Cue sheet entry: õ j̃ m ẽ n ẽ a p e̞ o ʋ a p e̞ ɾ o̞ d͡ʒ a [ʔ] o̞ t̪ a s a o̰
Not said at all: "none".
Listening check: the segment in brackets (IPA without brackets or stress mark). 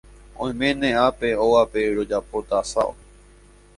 p